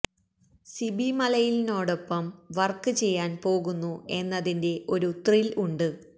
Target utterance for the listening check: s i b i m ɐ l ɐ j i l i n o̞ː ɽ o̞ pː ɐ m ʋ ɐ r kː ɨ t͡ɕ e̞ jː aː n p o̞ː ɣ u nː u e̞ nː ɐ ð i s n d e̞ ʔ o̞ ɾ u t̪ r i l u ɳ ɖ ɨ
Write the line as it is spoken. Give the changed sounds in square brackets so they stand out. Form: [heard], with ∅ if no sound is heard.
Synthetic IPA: s i b i m ɐ l ɐ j i l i n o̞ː ɽ o̞ pː ɐ m ʋ ɐ r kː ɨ t͡ɕ e̞ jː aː n p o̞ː ɣ u nː u e̞ nː ɐ ð i [∅] n d e̞ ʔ o̞ ɾ u t̪ r i l u ɳ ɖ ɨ